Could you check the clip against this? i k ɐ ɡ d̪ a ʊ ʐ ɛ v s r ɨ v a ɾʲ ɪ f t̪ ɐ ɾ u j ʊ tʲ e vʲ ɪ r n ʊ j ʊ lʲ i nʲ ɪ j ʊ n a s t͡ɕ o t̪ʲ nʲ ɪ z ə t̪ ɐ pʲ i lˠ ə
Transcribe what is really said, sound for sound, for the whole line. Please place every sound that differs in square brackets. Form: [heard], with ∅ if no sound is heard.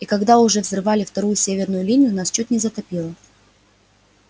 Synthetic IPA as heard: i k ɐ ɡ d̪ a ʊ ʐ ɛ v [z] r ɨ v a [lʲ] ɪ f t̪ ɐ ɾ u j ʊ [sʲ] e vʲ ɪ r n ʊ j ʊ lʲ i nʲ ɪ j ʊ n a s t͡ɕ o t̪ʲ nʲ ɪ z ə t̪ ɐ pʲ i lˠ ə